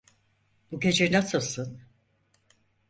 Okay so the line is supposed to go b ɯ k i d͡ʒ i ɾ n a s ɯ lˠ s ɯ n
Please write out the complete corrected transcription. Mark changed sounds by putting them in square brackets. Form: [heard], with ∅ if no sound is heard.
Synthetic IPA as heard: b [u] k [e] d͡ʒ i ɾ n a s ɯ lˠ s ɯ n